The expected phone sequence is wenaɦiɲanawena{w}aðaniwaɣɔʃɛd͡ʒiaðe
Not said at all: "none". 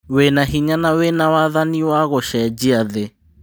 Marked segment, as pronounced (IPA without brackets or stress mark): w